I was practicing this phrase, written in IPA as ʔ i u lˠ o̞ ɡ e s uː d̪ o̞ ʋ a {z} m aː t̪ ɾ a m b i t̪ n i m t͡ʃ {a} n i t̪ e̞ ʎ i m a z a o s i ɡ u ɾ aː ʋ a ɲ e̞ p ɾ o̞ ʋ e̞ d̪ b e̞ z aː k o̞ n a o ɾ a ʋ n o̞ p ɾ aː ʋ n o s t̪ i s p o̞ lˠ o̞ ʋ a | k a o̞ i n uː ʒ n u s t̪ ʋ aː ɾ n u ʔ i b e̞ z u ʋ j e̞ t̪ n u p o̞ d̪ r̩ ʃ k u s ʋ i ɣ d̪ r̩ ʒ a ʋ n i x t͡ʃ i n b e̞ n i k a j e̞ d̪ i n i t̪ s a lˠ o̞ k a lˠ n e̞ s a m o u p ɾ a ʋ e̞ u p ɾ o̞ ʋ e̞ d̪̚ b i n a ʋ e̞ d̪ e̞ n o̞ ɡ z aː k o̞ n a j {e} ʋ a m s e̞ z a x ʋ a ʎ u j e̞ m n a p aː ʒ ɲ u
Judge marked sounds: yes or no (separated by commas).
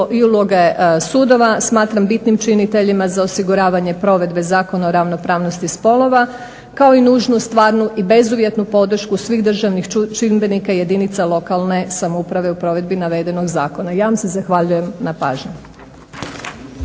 no, no, no